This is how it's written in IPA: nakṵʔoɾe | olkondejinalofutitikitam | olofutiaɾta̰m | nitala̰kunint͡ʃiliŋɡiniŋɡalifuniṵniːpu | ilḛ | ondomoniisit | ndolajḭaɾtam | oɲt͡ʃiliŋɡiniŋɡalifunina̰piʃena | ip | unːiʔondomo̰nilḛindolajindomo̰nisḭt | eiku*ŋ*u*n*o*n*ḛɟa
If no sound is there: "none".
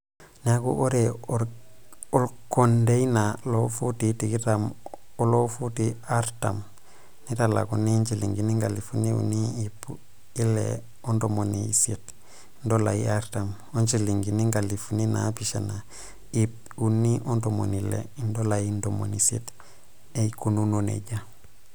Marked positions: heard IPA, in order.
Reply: n, n, n

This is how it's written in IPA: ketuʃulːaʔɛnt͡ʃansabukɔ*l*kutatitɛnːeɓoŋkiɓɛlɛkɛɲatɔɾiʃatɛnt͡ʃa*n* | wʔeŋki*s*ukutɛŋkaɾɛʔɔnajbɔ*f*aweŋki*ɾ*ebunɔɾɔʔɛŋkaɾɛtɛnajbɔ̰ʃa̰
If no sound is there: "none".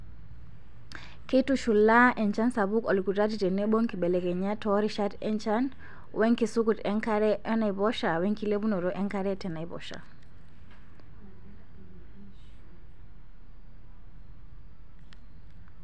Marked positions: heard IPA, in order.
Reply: l, n, s, ʃ, l

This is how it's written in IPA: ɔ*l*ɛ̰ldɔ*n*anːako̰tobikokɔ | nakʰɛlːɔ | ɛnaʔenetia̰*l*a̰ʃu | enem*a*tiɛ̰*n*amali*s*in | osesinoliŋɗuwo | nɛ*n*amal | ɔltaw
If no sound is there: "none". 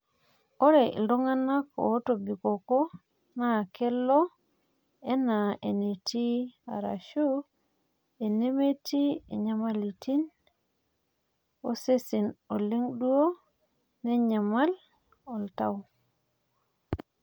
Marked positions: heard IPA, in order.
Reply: ɾ, ŋ, ɾ, e, ɲ, t, ɲ

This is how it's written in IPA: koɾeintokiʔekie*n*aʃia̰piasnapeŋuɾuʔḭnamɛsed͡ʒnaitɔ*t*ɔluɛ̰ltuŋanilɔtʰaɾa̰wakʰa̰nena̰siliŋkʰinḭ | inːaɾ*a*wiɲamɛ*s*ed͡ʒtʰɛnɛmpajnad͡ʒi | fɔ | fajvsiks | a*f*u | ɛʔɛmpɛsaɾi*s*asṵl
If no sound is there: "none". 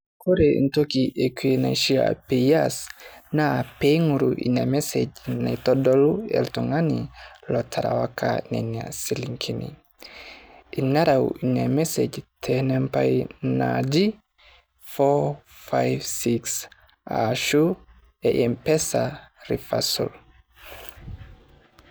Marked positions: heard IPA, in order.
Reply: n, d, a, s, ʃ, f

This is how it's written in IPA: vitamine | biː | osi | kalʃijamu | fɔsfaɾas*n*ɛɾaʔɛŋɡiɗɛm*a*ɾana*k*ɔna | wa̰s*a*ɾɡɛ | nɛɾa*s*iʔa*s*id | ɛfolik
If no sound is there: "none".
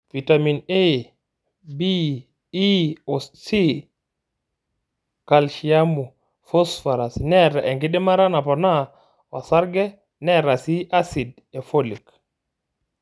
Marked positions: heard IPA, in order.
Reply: n, a, p, a, s, s

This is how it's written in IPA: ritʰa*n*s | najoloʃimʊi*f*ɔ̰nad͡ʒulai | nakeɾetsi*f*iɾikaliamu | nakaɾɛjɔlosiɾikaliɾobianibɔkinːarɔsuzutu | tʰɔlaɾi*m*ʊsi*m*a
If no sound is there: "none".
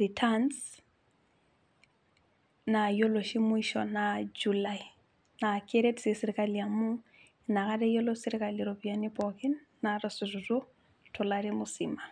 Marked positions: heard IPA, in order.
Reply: n, ʃ, s, m, m

